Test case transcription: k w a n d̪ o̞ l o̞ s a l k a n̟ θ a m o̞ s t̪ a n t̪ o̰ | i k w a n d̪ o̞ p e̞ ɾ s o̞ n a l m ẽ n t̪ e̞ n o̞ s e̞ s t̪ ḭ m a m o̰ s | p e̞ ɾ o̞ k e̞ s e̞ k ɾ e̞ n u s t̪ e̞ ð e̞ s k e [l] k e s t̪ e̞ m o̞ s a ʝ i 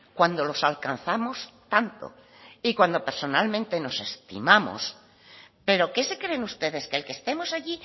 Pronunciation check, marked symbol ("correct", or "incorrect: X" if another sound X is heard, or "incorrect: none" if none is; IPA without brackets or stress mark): correct